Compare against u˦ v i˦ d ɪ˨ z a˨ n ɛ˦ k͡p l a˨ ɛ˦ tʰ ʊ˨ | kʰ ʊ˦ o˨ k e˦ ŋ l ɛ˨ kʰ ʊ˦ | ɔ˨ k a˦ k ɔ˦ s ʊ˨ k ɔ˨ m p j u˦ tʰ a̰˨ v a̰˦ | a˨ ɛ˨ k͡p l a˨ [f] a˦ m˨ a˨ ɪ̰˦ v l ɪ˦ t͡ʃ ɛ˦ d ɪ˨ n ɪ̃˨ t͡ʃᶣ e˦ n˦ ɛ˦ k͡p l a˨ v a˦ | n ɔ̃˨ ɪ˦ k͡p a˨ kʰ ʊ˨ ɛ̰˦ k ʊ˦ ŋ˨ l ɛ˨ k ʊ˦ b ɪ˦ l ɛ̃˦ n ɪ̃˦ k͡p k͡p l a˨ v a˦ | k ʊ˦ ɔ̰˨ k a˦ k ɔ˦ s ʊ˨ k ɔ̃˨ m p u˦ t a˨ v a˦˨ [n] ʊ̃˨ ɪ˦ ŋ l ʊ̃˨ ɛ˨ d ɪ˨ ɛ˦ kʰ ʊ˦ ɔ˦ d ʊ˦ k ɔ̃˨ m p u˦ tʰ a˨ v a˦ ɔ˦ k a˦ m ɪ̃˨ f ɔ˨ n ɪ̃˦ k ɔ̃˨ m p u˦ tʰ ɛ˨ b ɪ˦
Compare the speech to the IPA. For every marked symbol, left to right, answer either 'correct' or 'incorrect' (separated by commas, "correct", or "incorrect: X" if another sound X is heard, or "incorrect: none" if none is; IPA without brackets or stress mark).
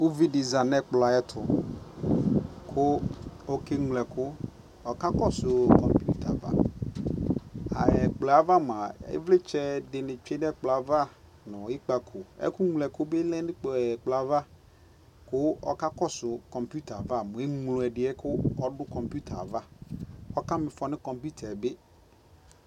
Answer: incorrect: v, incorrect: m